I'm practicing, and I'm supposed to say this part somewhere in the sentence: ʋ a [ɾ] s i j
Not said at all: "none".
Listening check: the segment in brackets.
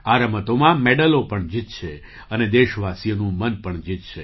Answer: none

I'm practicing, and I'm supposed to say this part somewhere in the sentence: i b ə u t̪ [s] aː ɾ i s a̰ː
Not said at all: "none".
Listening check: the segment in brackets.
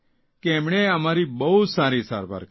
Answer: s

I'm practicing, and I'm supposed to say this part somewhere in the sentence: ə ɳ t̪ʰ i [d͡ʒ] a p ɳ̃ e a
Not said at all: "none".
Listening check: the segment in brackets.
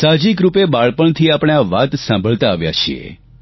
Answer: none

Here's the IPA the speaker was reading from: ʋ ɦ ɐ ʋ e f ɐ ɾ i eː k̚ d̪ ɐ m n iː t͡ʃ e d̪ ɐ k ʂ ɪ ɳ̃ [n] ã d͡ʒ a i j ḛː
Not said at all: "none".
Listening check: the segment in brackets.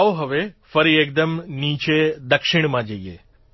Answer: m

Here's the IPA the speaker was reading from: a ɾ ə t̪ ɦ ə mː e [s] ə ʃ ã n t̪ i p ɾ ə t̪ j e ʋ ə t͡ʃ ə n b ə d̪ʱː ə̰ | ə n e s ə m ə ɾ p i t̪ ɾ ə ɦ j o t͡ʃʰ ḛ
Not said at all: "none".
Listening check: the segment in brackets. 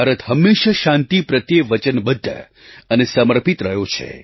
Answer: ʃ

